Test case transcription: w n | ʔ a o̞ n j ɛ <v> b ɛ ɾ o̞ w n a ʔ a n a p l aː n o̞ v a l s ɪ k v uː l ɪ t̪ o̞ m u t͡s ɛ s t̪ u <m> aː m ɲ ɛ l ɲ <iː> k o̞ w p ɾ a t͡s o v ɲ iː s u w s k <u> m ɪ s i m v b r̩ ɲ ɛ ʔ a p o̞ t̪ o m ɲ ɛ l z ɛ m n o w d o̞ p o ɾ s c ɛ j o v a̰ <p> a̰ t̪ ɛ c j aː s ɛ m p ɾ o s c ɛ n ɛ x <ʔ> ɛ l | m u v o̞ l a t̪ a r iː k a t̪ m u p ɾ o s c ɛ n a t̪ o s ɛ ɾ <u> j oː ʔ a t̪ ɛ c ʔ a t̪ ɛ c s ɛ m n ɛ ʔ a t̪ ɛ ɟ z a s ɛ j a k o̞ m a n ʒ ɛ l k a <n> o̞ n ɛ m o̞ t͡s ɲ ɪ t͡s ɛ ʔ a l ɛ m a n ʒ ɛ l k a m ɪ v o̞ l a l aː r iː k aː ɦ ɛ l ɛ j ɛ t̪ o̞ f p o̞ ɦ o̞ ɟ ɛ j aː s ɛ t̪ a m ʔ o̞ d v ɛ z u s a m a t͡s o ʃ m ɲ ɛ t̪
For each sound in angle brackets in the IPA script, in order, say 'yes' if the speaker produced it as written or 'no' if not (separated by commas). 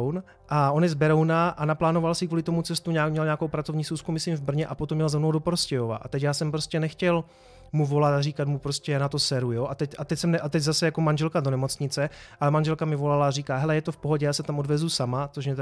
no, no, no, yes, no, no, yes, no